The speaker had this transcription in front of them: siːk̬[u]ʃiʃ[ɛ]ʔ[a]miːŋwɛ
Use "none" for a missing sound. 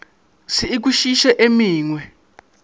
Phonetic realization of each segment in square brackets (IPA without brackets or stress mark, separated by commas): u, ɛ, e